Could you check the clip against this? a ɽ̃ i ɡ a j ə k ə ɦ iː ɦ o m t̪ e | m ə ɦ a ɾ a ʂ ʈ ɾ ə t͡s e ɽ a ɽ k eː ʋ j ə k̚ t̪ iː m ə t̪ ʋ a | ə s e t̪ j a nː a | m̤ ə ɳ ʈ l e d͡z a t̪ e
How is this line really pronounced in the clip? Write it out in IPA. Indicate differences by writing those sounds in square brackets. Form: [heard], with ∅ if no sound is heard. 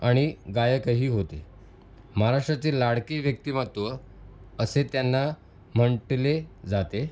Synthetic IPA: a ɽ̃ i ɡ a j ə k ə ɦ iː ɦ o [∅] t̪ e | m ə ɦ a ɾ a ʂ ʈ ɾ [a] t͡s e [l] a ɽ k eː ʋ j ə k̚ t̪ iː m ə t̪ ʋ [ə] | ə s e t̪ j a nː a | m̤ ə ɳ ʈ l e d͡z a t̪ e

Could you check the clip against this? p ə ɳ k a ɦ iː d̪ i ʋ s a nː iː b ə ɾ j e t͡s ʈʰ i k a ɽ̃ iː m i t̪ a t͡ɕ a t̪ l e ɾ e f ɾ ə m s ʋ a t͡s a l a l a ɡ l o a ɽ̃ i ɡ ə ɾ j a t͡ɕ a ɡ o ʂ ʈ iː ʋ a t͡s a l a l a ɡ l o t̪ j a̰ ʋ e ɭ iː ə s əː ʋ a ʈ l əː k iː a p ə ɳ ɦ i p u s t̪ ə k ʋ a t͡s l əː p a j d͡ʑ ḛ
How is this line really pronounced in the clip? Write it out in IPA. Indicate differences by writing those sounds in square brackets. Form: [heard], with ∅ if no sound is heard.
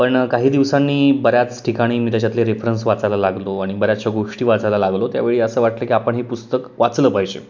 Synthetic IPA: p ə ɳ k a ɦ iː d̪ i ʋ s a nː iː b ə ɾ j [a] t͡s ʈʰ i k a ɽ̃ iː m i t̪ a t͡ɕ a t̪ l e ɾ e f ɾ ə [n] s ʋ a t͡s a l a l a ɡ l o a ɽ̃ i [b] ə ɾ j a t͡ɕ a ɡ o ʂ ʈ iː ʋ a t͡s a l a l a ɡ l o t̪ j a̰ ʋ e ɭ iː ə s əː ʋ a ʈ l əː k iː a p ə ɳ ɦ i p u s t̪ ə k ʋ a t͡s l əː p a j d͡ʑ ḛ

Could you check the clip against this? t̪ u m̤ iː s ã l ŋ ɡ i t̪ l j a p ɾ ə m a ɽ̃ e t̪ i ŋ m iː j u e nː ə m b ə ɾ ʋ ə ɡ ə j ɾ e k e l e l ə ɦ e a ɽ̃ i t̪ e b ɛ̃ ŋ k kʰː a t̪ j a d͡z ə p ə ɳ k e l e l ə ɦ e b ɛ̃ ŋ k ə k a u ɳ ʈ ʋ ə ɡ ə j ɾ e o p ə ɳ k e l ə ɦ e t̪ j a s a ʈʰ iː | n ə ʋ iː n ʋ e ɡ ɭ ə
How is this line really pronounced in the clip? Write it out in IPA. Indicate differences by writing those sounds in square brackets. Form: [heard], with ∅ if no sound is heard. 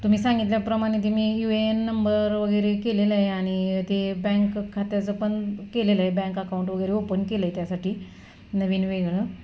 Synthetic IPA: t̪ u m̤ iː s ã [∅] ŋ ɡ i t̪ l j a p ɾ ə m a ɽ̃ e t̪ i [∅] m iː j u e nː ə m b ə ɾ ʋ ə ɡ ə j ɾ e k e l e l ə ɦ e a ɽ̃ i t̪ e b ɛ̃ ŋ k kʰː a t̪ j a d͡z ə p ə ɳ k e l e l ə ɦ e b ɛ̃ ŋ k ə k a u ɳ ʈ ʋ ə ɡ ə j ɾ e o p ə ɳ k e l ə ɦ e t̪ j a s a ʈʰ iː | n ə ʋ iː n ʋ e ɡ ɭ ə

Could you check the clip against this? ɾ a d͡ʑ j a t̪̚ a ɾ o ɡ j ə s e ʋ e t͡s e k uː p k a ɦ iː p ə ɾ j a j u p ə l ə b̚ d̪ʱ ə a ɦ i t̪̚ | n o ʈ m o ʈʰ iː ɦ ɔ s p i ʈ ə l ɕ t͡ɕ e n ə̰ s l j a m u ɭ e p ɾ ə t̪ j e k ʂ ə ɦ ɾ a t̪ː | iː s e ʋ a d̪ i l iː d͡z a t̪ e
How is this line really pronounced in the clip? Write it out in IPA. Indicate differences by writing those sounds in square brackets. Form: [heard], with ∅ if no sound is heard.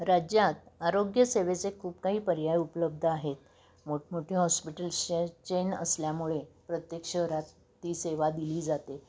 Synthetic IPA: ɾ a d͡ʑ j a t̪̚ a ɾ o ɡ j ə s e ʋ e t͡s e [kʰ] uː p k a ɦ iː p ə ɾ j a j u p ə l ə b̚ d̪ʱ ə a ɦ [e] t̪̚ | [m] o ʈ m o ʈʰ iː ɦ ɔ s p i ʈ ə l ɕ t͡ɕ e n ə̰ s l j a m u ɭ e p ɾ ə t̪ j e k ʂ ə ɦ ɾ a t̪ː | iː s e ʋ a d̪ i l iː d͡z a t̪ e

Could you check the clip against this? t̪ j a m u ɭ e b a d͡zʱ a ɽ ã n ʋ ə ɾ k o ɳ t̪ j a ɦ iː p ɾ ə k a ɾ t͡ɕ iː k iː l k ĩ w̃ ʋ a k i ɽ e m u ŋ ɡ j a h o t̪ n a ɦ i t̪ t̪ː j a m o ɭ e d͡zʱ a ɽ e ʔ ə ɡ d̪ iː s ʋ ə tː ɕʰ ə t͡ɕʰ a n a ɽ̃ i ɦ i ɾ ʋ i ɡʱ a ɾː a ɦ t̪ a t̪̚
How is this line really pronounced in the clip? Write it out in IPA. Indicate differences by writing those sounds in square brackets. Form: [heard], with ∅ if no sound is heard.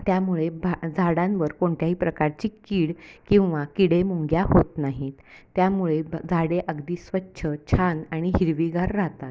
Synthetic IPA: t̪ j a m u ɭ e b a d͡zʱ a ɽ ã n ʋ ə ɾ k o ɳ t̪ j a ɦ iː p ɾ ə k a ɾ t͡ɕ iː k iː [ɽ] k ĩ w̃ ʋ a k i ɽ e m u ŋ ɡ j a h o t̪ n a ɦ i t̪ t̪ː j a m [u] ɭ e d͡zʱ a ɽ e ʔ ə ɡ d̪ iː s ʋ ə tː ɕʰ ə t͡ɕʰ a n a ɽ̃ i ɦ i ɾ ʋ i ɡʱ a ɾː a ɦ t̪ a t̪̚

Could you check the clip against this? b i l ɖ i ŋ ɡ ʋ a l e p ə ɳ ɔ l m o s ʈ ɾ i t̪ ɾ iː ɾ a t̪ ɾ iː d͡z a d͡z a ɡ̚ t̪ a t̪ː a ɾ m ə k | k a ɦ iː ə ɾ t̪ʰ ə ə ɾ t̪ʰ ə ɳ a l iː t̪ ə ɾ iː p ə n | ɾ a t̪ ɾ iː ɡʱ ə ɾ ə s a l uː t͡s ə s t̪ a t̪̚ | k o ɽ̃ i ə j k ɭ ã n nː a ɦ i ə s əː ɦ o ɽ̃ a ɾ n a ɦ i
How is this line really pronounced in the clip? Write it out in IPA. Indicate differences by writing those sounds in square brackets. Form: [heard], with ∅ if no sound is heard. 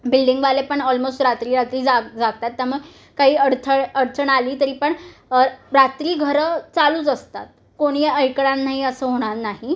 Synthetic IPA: b i l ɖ i ŋ ɡ ʋ a l e p ə ɳ ɔ l m o s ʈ ɾ [a] t̪ ɾ iː ɾ a t̪ ɾ iː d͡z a d͡z a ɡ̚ t̪ a t̪ː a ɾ m ə [ɡ] | k a ɦ iː ə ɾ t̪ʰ ə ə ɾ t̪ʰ ə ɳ a l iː t̪ ə ɾ iː p ə [ɳ] | ɾ a t̪ ɾ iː ɡʱ ə ɾ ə [t͡s] a l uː t͡s ə s t̪ a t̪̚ | k o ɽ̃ i ə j k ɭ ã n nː a ɦ i ə s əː ɦ o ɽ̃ a ɾ n a ɦ i

